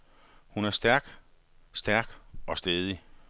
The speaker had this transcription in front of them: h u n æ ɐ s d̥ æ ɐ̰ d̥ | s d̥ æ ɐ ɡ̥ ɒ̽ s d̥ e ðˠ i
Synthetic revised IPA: h u n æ ɐ s d̥ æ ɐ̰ ɡ̥ | s d̥ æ ɐ ɡ̥ ɒ̽ s d̥ e ðˠ i